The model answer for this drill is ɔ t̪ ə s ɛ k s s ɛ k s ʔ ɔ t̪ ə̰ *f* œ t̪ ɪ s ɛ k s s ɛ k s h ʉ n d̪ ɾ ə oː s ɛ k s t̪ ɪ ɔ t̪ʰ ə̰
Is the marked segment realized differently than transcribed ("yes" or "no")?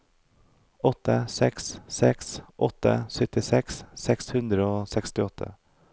yes